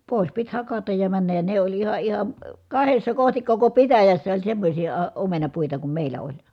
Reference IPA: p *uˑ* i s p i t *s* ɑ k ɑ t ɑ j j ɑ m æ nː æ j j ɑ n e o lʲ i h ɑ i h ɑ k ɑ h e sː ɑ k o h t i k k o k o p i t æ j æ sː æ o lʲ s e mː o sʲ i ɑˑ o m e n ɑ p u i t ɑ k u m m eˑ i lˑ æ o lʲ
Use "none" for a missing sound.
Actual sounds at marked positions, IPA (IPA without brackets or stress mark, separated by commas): oˑ, h